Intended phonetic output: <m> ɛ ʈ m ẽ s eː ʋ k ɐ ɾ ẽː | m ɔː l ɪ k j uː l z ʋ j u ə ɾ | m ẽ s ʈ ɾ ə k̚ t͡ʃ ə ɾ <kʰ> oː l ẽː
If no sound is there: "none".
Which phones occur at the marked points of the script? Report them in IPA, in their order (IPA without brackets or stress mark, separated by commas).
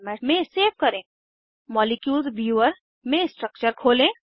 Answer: m, kʰ